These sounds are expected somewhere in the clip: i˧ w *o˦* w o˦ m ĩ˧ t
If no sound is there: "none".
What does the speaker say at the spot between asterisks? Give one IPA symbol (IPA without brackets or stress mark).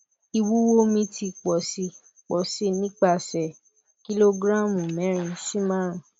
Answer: u˦